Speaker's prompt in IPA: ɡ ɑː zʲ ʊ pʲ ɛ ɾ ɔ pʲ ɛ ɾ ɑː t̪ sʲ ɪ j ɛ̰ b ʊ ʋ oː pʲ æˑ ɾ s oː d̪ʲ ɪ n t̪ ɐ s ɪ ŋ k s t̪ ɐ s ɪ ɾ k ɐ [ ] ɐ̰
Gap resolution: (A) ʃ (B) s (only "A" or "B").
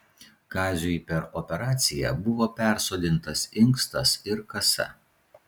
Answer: B